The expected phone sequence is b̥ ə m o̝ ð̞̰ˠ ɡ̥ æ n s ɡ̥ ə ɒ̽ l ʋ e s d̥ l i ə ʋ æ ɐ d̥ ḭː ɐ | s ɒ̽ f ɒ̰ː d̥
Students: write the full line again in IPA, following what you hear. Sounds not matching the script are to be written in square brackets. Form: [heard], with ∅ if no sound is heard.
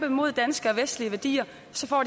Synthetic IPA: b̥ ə m o̝ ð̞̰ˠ [d̥] æ n s ɡ̥ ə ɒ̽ [∅] ʋ e s d̥ l i ə ʋ æ ɐ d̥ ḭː ɐ | s ɒ̽ f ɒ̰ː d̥

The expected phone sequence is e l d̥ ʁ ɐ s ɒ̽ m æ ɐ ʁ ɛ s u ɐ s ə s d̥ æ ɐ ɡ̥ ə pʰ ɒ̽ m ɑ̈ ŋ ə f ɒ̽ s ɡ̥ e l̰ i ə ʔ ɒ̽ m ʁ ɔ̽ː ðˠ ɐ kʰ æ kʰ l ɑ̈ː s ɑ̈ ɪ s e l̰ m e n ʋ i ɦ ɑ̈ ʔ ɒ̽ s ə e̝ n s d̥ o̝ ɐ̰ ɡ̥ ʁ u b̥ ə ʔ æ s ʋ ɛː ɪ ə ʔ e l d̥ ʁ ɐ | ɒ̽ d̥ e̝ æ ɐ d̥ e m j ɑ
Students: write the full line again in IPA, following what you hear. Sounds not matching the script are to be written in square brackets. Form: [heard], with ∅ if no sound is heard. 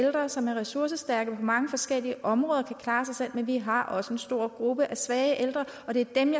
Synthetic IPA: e l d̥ ʁ ɐ s ɒ̽ m æ ɐ ʁ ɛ s u ɐ s ə s d̥ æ ɐ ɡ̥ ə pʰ ɒ̽ m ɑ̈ ŋ ə f ɒ̽ s ɡ̥ e l̰ i ə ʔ ɒ̽ m ʁ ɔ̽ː ðˠ ɐ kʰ æ kʰ l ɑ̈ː s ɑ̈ ɪ s e l̰ m e n ʋ i ɦ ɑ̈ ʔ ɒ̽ s ə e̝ n s d̥ o̝ ɐ̰ ɡ̥ ʁ u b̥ ə ʔ æ s ʋ ɛː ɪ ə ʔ e l d̥ ʁ ɐ | ɒ̽ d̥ e̝ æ ɐ d̥ e m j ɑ

